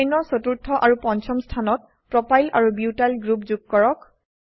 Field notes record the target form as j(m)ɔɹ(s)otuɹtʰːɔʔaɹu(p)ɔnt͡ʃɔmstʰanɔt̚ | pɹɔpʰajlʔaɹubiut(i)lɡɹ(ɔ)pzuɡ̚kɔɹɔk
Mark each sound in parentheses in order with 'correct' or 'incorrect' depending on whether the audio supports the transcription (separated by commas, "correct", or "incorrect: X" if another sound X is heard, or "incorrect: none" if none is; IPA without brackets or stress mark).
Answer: incorrect: n, correct, correct, incorrect: a, incorrect: u